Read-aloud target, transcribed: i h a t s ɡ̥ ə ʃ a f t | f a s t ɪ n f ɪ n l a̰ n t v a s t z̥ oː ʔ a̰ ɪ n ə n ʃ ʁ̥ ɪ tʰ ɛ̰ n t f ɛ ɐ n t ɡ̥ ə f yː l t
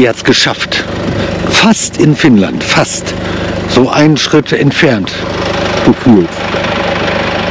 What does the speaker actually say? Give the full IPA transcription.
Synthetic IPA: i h a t s ɡ̥ ə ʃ a f t | f a s t ɪ n f ɪ n l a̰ n t f a s t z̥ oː ʔ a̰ ɪ n ə n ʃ ʁ̥ ɪ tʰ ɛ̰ n t f ɛ ɐ n t ɡ̥ ə f yː l t